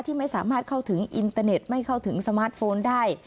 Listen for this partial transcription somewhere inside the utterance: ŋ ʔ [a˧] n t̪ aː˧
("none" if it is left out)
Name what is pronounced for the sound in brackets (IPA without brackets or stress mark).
i˧